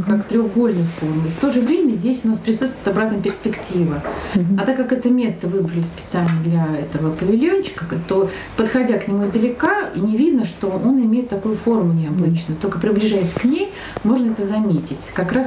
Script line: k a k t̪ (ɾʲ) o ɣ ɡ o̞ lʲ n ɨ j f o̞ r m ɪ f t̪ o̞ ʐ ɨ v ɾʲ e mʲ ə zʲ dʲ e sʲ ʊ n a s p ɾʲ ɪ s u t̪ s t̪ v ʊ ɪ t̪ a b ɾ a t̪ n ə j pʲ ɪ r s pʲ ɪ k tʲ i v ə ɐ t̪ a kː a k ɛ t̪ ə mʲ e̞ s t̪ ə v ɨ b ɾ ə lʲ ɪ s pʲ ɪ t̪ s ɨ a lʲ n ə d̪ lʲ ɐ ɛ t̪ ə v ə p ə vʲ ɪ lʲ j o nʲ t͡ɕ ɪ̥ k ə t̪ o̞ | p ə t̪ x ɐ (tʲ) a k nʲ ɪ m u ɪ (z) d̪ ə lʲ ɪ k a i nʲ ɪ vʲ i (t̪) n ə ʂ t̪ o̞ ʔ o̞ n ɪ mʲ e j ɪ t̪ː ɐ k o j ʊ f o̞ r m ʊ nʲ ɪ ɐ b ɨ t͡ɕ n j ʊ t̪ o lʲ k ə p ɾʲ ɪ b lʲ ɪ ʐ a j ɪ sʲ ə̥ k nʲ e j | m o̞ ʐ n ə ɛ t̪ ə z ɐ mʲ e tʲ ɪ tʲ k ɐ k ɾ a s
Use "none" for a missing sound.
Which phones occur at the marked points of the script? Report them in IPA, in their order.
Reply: ɾʲ, dʲ, z, d̪

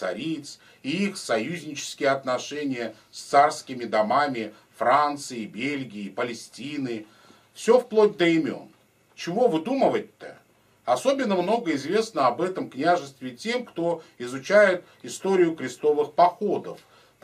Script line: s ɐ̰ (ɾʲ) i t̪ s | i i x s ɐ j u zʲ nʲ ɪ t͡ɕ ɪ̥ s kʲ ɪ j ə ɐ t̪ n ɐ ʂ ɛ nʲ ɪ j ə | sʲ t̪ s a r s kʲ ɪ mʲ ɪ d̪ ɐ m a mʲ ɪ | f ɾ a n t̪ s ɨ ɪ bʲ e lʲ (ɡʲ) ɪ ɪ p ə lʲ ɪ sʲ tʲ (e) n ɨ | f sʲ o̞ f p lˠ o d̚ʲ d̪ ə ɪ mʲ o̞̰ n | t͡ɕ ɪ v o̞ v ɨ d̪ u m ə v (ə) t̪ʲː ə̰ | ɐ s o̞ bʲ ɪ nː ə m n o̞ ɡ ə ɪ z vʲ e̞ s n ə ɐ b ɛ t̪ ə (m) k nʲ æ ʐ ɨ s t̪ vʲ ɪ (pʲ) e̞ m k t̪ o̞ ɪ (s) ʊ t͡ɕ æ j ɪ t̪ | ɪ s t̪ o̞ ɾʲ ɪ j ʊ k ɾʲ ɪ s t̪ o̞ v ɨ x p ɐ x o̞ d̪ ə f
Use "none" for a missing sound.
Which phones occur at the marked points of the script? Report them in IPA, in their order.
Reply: ɾʲ, ɡʲ, i, ə, m, tʲ, z

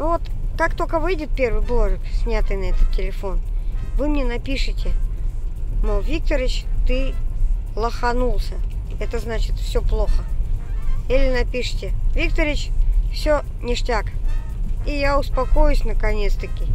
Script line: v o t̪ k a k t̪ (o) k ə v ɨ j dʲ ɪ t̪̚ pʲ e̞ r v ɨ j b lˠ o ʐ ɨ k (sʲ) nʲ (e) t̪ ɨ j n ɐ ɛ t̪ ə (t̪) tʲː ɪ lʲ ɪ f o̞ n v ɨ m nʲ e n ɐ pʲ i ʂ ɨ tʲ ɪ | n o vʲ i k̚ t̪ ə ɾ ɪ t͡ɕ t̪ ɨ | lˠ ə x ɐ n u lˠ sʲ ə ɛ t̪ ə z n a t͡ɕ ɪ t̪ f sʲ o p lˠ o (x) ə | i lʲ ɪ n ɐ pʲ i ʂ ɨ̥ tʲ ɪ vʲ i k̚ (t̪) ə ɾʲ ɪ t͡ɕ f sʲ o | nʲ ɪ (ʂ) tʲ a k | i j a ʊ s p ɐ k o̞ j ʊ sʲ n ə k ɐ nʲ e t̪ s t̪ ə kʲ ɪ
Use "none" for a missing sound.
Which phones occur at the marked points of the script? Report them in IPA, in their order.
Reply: o, sʲ, a, t̪, x, t̪, ʂ

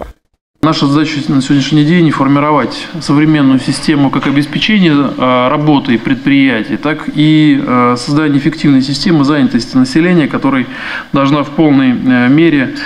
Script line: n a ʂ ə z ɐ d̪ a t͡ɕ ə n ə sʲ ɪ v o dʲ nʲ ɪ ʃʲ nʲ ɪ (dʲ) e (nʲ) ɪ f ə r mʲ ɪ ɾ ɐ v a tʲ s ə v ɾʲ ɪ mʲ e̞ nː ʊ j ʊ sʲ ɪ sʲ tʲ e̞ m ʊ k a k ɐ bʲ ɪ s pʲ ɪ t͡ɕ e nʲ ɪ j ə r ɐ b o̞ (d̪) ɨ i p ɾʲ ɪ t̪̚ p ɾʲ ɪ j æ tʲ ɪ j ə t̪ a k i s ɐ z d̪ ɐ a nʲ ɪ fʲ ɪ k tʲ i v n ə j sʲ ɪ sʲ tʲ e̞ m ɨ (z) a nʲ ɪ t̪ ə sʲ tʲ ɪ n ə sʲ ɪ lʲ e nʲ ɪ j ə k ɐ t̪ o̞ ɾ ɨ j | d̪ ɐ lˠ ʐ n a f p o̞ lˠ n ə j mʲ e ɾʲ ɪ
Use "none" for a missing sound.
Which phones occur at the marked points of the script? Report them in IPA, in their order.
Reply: dʲ, nʲ, t̪, z

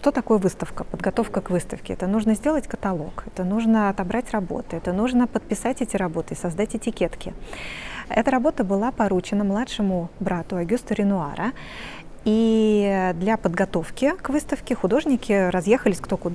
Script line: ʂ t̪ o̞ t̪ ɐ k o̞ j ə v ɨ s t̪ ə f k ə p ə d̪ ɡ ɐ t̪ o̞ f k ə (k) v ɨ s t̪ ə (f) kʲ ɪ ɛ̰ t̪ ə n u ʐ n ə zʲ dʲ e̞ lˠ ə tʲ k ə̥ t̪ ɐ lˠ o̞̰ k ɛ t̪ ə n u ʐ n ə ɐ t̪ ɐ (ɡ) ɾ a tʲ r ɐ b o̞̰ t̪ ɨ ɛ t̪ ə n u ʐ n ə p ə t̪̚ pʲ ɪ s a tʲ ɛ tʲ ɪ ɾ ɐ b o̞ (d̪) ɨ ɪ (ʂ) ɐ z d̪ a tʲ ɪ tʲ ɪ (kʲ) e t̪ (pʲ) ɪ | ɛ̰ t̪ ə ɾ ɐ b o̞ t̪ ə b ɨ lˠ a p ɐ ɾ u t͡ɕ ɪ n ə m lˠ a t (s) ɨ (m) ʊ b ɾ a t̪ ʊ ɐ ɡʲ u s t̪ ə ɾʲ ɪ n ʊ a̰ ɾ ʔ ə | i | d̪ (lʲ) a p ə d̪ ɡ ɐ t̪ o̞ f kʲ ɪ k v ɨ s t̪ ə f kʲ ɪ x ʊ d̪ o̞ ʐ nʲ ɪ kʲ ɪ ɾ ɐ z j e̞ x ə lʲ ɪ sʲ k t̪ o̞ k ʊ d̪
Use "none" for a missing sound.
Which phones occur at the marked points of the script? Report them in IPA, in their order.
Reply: k, f, b, t̪, s, kʲ, kʲ, ʂ, m, lʲ

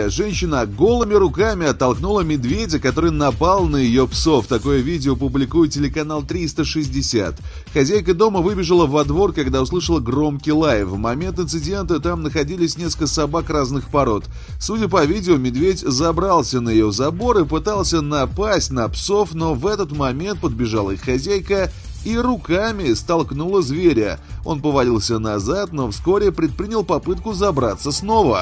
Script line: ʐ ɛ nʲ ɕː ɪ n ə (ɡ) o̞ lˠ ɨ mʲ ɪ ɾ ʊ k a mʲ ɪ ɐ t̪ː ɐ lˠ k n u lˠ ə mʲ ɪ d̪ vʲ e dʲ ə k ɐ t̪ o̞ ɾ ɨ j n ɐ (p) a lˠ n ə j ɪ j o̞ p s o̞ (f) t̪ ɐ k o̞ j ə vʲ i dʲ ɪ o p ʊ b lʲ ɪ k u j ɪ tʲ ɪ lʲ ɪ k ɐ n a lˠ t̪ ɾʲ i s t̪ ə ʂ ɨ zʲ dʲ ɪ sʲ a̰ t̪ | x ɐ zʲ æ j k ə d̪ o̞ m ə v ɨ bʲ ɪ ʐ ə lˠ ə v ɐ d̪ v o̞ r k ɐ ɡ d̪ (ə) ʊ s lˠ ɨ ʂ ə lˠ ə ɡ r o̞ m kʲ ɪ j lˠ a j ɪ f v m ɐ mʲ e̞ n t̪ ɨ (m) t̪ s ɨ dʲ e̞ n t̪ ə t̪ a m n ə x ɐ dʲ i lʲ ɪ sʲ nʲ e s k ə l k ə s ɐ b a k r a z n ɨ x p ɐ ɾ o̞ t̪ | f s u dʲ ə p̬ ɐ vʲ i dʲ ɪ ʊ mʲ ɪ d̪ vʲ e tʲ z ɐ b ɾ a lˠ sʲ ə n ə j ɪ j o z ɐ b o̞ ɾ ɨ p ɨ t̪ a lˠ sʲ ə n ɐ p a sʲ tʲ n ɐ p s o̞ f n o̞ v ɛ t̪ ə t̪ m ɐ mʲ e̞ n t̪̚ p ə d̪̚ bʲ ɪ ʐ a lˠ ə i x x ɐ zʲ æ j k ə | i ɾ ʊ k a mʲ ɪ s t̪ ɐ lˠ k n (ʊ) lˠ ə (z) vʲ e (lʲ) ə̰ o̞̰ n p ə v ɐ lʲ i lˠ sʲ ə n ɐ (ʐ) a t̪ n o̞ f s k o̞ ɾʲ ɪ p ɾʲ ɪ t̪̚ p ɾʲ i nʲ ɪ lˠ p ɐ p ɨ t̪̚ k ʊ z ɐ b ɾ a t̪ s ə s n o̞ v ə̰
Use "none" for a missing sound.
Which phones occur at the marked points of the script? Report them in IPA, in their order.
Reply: ɡ, p, f, a, n, u, z, ɾʲ, z

